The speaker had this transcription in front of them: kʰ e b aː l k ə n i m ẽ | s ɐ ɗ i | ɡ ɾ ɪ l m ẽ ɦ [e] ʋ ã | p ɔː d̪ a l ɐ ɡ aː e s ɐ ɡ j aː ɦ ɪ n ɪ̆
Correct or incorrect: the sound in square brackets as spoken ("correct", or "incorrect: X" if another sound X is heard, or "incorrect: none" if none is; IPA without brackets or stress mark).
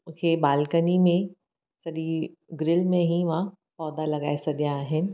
incorrect: i